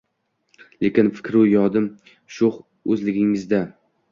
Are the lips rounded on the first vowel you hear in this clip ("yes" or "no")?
no